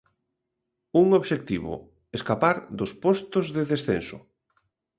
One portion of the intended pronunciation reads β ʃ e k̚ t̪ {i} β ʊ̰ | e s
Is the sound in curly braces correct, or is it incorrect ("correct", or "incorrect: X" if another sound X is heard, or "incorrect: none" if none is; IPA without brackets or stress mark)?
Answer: correct